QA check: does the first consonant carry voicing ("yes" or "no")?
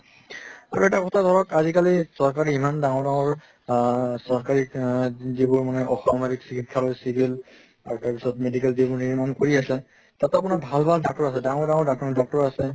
yes